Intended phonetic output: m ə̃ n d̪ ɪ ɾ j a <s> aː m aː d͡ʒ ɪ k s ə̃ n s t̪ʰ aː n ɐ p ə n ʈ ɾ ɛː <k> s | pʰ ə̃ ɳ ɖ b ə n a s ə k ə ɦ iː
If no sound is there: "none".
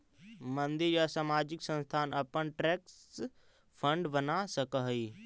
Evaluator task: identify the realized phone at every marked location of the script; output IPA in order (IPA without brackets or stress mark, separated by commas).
s, k